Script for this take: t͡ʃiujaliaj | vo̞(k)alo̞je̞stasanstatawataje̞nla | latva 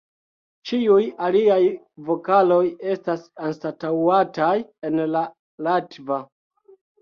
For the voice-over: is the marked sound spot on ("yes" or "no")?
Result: yes